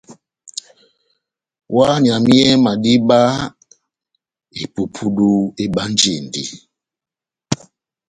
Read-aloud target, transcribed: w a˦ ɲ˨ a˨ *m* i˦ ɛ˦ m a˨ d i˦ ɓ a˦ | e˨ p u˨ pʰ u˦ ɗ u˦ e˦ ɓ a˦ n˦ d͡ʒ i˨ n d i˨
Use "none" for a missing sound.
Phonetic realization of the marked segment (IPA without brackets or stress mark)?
m